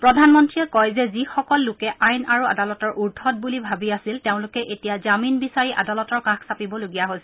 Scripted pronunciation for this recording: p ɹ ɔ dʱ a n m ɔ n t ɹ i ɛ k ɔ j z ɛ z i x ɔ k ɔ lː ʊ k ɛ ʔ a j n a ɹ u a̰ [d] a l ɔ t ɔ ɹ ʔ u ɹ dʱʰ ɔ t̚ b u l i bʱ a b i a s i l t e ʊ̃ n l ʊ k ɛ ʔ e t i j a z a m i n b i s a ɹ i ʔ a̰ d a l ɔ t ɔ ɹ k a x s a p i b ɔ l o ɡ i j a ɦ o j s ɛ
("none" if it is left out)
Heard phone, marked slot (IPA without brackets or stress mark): d